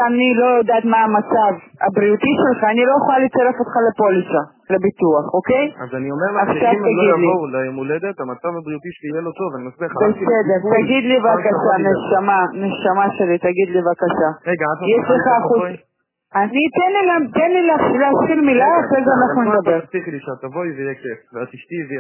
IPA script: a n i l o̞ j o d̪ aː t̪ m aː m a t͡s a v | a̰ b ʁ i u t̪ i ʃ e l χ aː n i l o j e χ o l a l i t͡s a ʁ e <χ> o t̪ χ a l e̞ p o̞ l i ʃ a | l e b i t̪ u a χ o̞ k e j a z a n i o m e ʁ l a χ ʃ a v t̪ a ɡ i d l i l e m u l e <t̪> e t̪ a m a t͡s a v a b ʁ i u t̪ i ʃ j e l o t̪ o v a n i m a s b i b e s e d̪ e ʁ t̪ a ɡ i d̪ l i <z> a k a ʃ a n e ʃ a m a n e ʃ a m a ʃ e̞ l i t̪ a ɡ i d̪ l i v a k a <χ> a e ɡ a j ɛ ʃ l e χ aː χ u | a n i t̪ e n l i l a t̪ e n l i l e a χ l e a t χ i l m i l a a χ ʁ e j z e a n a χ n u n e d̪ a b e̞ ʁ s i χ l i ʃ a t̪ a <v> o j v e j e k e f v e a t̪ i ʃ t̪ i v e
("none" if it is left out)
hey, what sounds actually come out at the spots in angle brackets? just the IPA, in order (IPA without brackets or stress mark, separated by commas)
f, d̪, v, ʃ, v